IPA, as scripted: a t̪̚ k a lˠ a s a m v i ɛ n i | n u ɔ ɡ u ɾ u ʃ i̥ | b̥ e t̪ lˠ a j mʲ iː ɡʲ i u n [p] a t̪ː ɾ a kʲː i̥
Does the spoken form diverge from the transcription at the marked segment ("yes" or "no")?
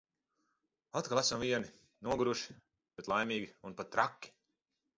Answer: no